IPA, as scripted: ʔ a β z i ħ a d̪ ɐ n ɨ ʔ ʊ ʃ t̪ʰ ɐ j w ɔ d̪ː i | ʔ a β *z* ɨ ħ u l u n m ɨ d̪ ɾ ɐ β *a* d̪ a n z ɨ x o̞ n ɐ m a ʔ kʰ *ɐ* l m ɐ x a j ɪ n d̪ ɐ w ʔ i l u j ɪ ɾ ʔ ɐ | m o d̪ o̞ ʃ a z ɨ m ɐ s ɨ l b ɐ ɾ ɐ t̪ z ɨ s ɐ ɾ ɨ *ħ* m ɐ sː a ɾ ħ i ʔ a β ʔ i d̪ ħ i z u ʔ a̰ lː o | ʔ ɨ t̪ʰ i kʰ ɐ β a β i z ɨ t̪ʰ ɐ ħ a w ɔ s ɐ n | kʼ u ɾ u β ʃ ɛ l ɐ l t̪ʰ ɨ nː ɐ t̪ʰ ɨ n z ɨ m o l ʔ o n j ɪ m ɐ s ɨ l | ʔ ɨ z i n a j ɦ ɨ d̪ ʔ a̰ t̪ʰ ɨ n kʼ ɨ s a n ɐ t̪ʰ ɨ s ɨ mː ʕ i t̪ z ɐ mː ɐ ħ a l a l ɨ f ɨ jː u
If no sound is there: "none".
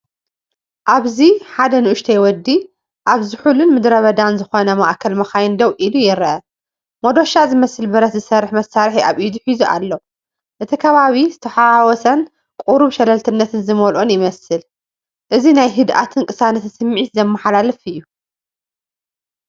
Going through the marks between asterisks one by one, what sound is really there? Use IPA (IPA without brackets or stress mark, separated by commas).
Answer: z, ɐ, ɐ, ħ